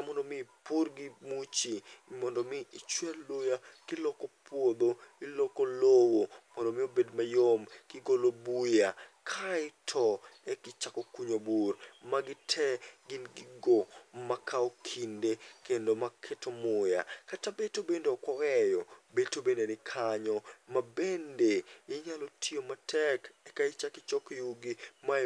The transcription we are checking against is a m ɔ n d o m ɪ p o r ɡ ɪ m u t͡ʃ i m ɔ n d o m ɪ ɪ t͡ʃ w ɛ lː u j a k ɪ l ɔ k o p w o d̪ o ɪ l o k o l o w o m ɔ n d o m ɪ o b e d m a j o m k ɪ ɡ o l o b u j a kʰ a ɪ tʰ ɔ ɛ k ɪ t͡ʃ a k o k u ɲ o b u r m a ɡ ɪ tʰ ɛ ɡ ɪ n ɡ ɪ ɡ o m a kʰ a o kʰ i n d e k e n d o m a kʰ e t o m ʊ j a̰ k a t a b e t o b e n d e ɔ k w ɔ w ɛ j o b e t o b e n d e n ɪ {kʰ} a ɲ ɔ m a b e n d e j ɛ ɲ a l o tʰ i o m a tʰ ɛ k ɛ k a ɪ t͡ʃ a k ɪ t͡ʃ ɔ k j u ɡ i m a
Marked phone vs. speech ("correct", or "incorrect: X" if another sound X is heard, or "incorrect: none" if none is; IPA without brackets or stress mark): correct